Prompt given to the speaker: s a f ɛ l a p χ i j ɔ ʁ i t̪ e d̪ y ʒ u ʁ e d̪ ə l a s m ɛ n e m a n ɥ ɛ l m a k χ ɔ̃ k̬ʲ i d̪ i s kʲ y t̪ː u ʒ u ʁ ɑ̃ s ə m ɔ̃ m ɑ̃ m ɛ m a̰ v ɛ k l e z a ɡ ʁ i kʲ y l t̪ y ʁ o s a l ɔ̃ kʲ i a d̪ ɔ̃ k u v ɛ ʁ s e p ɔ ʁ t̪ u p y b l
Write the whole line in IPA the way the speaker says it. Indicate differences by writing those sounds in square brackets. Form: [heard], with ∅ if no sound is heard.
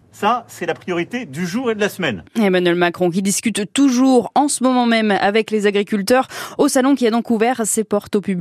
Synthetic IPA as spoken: s a [s] ɛ l a p χ i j ɔ ʁ i t̪ e d̪ y ʒ u ʁ e d̪ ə l a s m ɛ n e m a n ɥ ɛ l m a k χ ɔ̃ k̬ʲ i d̪ i s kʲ y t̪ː u ʒ u ʁ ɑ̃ s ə m [ɔ] m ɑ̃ m ɛ m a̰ v ɛ k l e z a ɡ ʁ i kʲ y l t̪ [œ] ʁ o s a l ɔ̃ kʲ i a d̪ ɔ̃ k u v ɛ ʁ s e p ɔ ʁ t̪ [o] p y b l